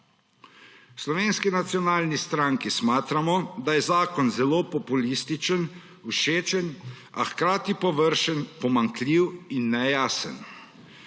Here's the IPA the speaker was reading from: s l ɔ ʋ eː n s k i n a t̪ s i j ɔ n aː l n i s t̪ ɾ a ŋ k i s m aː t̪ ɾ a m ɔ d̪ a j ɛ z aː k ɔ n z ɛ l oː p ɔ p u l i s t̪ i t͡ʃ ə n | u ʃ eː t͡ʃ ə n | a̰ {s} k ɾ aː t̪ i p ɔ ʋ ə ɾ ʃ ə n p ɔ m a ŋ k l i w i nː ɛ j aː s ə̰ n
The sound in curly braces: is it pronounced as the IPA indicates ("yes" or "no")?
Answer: no